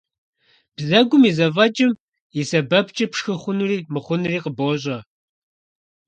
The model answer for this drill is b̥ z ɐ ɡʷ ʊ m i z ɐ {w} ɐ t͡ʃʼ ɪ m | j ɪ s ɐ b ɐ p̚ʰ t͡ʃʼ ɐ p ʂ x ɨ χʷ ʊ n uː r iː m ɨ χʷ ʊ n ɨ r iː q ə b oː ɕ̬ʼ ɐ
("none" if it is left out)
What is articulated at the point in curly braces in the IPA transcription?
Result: v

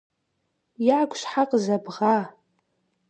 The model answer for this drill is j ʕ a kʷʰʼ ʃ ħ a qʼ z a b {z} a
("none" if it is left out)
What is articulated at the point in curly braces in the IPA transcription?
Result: ʁ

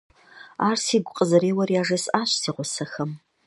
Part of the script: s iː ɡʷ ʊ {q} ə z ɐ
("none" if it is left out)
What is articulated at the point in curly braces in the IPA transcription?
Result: qʼ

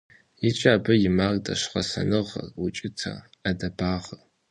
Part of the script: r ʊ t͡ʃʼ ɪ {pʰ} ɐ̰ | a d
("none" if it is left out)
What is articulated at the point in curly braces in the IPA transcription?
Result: tʰ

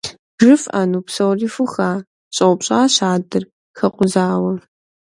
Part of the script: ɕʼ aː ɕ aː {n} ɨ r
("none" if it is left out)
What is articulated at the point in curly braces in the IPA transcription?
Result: d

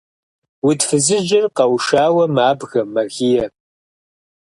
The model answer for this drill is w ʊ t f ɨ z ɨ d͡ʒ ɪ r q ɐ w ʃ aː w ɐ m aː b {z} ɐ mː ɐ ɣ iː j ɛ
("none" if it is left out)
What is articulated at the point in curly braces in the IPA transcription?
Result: ɣ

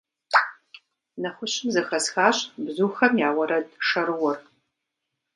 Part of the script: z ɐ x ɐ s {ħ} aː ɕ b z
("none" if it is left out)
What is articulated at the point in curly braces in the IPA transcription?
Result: x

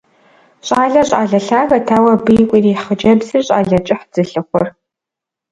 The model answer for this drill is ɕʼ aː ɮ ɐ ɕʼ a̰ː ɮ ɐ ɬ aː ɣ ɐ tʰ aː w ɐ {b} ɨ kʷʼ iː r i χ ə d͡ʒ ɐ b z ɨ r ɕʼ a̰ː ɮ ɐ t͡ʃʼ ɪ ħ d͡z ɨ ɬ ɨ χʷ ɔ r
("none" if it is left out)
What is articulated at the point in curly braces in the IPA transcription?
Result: b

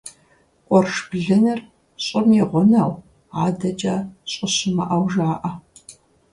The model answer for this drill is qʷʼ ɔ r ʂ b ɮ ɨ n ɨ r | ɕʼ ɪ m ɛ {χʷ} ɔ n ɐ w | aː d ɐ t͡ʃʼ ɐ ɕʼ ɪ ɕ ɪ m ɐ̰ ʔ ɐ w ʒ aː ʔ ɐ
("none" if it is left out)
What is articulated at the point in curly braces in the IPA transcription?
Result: ʁʷ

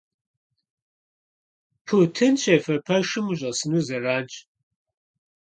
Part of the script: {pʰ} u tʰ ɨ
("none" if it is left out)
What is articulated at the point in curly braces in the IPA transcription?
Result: pʰ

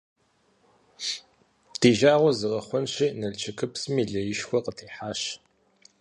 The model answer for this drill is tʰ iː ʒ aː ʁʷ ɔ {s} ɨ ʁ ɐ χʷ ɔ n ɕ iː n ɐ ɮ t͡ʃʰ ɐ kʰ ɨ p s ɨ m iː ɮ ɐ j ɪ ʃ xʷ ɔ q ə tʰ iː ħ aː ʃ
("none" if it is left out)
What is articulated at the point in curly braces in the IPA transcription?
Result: z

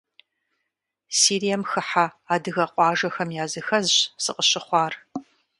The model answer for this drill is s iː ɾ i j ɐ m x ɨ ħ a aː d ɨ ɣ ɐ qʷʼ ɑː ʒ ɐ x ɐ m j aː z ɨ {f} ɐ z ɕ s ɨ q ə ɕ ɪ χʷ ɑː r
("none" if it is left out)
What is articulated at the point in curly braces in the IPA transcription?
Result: x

